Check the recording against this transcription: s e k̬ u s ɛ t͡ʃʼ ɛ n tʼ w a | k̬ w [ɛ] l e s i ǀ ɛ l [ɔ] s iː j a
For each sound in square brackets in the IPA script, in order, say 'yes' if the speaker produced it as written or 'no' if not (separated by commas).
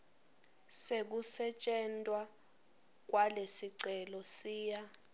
no, yes